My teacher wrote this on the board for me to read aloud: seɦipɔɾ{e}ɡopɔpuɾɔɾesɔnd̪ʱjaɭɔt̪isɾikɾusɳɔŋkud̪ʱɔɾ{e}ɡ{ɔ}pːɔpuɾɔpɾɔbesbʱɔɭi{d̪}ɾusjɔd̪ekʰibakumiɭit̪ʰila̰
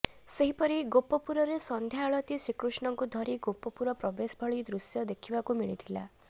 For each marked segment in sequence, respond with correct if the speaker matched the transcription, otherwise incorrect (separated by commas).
incorrect, incorrect, incorrect, correct